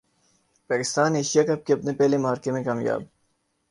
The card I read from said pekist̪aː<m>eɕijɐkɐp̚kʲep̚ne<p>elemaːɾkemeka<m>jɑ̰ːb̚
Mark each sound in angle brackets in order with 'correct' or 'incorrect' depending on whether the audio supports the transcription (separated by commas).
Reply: incorrect, correct, correct